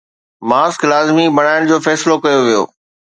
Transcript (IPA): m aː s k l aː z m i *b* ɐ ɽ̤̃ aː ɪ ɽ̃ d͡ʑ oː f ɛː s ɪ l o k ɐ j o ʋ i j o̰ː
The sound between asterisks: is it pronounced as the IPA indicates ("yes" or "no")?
yes